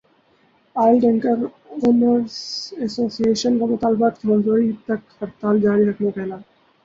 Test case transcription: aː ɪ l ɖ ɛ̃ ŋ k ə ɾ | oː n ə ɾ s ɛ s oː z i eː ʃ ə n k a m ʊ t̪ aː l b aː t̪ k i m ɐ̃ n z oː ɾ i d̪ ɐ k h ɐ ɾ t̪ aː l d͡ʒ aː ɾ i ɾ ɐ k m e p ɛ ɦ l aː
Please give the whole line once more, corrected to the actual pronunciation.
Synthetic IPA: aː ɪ l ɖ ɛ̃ ŋ k ə ɾ | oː n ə ɾ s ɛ s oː s i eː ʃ ə n k a m ʊ t̪ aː l b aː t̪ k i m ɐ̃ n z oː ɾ i t̪ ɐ k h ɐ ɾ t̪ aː l d͡ʒ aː ɾ i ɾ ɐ k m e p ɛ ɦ l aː